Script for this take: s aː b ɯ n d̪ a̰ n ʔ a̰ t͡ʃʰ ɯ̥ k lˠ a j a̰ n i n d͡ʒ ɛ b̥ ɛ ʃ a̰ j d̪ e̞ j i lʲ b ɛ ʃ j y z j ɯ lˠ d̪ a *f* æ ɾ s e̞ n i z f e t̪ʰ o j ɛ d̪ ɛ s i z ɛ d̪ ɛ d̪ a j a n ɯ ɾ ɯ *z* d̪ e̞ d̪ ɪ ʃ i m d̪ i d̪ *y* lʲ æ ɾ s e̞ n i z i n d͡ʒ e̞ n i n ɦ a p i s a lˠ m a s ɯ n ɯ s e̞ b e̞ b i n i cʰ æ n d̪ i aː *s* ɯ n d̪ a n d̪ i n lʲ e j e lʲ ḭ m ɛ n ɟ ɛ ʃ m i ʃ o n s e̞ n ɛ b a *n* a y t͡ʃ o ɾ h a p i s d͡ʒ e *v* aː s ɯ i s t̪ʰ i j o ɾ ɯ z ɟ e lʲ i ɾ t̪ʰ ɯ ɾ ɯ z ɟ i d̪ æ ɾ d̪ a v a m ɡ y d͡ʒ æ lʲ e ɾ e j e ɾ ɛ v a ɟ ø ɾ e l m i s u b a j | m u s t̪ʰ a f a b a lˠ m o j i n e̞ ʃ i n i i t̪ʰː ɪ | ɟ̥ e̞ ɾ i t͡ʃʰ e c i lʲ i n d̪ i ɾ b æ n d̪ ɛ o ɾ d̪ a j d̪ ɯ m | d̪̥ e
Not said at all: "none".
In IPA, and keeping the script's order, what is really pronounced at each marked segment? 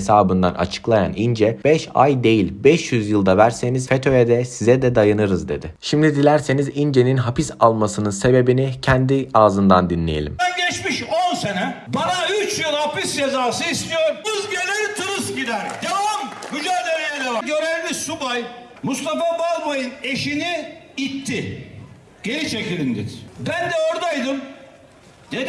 v, z, i, z, n, z

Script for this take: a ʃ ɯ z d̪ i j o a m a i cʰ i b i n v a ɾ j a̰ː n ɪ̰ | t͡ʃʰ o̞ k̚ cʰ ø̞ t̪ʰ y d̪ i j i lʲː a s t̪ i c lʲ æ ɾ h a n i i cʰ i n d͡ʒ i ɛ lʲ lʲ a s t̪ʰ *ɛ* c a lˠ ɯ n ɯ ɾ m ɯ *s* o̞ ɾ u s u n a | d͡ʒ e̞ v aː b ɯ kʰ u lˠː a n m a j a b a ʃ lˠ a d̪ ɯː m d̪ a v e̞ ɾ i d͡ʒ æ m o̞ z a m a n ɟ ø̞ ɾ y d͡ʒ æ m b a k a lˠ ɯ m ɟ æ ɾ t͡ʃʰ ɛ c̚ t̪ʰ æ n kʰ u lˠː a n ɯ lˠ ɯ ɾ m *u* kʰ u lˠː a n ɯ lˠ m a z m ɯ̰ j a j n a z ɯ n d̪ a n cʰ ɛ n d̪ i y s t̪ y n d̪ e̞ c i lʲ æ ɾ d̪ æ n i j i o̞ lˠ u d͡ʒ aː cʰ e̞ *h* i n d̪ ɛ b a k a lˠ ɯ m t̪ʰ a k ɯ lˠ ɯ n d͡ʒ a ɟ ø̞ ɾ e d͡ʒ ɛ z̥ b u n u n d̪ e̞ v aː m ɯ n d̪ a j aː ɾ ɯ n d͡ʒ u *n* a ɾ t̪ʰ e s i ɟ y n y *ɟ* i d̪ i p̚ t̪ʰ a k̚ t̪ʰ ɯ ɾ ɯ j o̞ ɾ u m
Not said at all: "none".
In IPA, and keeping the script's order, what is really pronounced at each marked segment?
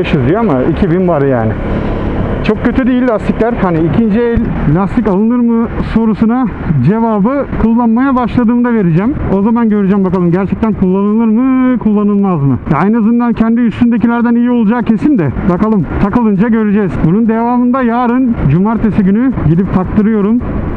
i, s, ɯ, s, m, ɟ

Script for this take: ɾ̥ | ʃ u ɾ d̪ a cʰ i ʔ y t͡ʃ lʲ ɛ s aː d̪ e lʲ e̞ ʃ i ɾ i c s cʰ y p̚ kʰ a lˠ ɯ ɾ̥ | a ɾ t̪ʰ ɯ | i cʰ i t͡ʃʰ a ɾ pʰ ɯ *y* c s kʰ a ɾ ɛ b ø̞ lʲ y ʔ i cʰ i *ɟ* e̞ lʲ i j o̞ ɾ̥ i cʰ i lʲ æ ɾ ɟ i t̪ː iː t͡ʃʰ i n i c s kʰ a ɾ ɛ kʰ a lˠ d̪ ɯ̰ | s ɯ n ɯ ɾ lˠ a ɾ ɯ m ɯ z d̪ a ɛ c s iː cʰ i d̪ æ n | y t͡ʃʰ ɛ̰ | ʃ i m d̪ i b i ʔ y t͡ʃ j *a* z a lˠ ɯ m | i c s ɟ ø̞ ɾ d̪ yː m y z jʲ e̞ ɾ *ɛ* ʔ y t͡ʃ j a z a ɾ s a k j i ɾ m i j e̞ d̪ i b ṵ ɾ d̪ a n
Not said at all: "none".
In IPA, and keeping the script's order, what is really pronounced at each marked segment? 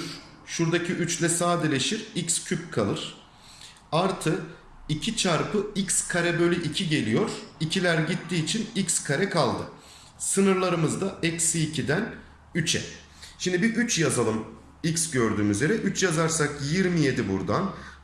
i, ɟ, a, ɛ

